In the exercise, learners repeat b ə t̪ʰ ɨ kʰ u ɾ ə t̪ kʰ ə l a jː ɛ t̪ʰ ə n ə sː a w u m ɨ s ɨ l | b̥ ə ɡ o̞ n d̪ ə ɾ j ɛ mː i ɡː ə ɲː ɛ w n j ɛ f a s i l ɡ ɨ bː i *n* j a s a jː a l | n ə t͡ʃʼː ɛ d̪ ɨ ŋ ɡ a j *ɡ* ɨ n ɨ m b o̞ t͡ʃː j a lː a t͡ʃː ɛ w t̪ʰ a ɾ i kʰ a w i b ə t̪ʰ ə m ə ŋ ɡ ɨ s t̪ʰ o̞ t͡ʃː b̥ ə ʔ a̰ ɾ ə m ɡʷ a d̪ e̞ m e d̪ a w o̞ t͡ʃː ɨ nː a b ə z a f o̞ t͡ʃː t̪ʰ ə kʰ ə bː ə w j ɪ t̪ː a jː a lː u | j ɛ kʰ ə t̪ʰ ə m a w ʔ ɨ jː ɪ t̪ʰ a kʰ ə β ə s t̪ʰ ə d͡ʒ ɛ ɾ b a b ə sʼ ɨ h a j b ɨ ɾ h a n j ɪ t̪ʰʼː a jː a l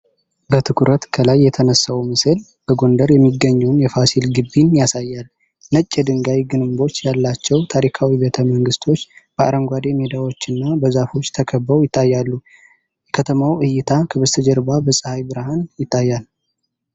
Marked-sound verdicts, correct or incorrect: correct, correct

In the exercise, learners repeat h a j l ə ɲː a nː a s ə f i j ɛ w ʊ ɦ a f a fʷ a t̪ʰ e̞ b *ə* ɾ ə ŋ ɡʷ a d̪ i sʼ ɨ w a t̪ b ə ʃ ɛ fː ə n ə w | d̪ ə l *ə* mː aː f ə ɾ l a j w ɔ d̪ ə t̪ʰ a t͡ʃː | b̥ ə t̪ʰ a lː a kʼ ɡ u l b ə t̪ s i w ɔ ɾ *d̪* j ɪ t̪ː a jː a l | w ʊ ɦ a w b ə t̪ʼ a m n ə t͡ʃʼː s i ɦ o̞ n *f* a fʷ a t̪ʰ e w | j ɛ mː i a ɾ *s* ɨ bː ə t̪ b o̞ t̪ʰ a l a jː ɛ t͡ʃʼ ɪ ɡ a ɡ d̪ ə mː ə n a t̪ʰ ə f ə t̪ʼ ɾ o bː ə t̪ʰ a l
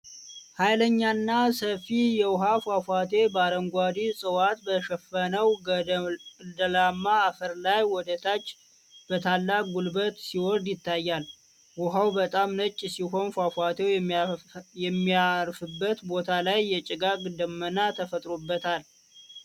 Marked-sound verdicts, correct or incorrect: incorrect: a, incorrect: a, correct, correct, incorrect: f

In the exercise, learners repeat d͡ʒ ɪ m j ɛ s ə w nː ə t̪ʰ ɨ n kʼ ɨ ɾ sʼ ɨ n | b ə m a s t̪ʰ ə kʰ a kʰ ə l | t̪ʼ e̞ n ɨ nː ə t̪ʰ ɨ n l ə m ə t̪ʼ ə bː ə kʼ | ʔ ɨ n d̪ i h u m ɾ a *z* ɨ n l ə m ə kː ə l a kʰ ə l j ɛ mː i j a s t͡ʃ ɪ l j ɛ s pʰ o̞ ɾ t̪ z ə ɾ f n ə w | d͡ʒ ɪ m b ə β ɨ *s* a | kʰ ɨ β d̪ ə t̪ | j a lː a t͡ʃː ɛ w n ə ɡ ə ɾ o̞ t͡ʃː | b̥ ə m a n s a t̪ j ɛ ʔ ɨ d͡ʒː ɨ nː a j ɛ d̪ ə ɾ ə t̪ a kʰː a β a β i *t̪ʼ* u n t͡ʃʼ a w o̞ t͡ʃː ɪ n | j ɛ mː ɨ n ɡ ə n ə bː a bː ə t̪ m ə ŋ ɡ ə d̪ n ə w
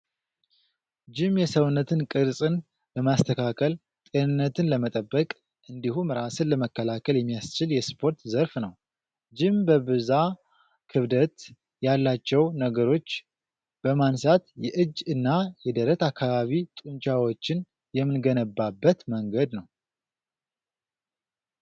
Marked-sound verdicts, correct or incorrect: incorrect: s, incorrect: z, correct

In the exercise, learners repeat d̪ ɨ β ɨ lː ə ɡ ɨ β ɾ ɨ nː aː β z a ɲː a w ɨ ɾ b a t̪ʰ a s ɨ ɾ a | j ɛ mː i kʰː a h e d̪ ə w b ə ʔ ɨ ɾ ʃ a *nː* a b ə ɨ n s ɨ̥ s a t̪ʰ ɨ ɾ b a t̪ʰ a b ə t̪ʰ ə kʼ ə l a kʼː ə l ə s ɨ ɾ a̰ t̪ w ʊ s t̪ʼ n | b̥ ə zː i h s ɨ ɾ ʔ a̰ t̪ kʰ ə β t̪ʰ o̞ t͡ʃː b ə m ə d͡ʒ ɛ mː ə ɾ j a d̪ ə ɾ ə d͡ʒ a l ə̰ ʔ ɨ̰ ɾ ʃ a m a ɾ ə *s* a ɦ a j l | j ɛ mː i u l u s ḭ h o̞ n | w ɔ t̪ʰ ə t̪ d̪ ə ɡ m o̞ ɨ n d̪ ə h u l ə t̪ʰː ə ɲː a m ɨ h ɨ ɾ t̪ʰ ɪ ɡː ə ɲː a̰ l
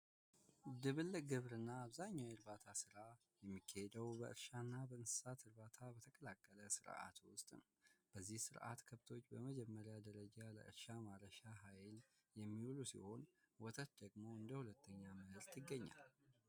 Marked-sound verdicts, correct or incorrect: correct, incorrect: ʃ

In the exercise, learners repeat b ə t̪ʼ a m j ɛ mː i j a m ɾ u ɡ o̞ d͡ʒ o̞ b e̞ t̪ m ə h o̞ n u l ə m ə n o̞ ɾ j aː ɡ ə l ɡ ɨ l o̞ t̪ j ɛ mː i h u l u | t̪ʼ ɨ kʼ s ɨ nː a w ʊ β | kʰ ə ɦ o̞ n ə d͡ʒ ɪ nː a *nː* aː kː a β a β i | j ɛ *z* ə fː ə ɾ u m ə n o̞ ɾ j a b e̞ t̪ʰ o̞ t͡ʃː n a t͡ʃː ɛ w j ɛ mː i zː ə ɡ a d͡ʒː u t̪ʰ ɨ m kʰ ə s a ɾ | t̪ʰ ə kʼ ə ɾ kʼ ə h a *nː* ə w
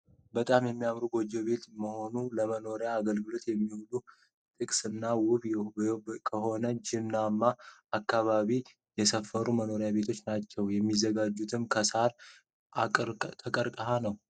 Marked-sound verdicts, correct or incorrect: incorrect: mː, incorrect: s, incorrect: n

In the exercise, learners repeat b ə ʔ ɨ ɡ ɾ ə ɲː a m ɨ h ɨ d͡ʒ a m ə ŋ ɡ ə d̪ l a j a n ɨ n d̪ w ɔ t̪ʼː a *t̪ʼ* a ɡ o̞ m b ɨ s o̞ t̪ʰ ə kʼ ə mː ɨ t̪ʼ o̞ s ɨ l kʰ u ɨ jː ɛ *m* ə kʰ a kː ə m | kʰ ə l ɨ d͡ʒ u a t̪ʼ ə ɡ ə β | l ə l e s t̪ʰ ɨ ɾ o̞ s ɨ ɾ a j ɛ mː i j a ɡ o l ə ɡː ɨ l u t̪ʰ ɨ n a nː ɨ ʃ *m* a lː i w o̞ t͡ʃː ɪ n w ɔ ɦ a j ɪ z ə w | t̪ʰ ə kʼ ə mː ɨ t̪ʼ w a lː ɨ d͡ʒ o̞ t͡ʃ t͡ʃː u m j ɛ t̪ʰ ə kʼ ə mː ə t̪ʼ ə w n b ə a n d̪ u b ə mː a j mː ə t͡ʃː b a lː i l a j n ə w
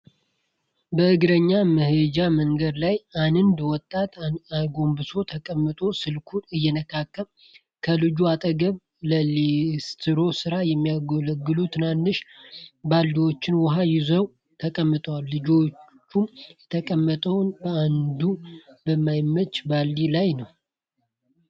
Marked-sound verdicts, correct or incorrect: incorrect: t̪, incorrect: n, incorrect: b

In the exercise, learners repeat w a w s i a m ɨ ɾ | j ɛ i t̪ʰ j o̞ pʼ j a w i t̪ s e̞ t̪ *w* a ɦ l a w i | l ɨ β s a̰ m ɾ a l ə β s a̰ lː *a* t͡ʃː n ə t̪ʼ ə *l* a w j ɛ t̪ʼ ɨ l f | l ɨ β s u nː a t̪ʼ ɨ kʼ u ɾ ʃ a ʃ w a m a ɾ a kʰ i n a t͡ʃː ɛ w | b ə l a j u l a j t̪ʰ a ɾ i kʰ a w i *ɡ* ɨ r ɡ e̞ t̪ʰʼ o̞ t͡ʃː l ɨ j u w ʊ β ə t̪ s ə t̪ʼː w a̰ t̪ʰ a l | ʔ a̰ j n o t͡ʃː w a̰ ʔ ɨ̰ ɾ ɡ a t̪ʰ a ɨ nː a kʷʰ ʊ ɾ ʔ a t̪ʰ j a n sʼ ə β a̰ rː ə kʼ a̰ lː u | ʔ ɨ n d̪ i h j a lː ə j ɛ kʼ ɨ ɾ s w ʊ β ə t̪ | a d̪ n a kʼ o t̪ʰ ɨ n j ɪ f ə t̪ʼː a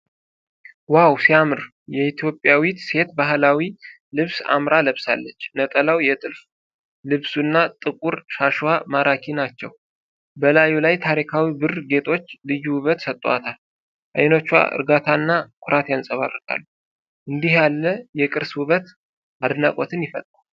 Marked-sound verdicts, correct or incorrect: incorrect: b, incorrect: ə, correct, incorrect: b

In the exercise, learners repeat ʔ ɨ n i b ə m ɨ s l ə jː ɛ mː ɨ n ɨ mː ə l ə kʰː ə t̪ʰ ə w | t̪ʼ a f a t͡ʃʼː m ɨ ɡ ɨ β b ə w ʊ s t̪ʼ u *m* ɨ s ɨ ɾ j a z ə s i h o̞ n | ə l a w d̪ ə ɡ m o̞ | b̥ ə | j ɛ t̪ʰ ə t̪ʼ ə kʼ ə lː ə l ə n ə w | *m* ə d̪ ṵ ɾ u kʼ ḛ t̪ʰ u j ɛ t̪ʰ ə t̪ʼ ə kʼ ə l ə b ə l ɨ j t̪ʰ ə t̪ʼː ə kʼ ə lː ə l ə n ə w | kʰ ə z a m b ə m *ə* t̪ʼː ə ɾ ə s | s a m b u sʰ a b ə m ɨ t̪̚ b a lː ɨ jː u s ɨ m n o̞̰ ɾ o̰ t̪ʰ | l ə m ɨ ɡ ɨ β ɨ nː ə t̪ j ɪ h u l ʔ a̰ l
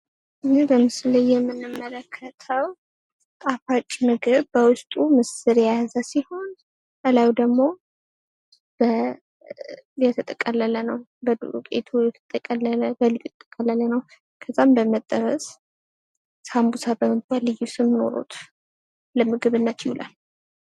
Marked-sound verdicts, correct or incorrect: correct, incorrect: b, correct

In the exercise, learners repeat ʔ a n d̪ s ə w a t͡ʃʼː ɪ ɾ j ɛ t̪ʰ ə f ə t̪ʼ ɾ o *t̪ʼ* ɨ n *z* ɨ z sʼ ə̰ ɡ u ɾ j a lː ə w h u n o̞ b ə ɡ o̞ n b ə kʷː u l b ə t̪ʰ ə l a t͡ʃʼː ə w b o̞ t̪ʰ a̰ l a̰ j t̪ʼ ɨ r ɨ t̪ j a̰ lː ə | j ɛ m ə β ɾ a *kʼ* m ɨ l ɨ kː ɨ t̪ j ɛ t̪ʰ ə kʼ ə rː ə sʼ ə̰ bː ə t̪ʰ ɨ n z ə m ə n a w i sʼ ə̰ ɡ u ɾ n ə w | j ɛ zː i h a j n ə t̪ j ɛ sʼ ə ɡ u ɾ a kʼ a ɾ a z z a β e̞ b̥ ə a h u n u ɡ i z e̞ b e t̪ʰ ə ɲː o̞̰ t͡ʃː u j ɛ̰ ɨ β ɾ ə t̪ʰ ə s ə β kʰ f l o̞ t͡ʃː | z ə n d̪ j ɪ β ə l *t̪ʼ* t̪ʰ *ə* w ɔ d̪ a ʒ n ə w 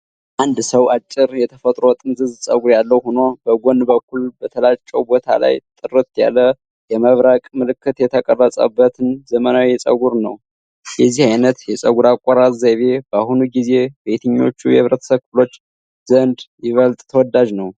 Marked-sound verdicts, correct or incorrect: correct, correct, correct, correct, correct

